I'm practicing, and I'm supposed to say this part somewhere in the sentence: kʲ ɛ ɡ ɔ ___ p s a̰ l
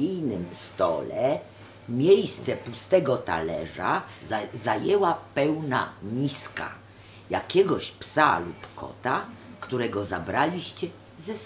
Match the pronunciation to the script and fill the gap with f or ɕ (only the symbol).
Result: ɕ